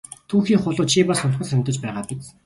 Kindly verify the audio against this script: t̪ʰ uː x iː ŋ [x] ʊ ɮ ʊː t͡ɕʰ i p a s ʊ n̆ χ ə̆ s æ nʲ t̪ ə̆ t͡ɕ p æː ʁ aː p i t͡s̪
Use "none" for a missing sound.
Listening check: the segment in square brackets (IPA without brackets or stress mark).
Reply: χ